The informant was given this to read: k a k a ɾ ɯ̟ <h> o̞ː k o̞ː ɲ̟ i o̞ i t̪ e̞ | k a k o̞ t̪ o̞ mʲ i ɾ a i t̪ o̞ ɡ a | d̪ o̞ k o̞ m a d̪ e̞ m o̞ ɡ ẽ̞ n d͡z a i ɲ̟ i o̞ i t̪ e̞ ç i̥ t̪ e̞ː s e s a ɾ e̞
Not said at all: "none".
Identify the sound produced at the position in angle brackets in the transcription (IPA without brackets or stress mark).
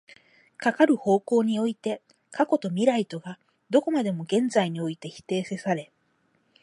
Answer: h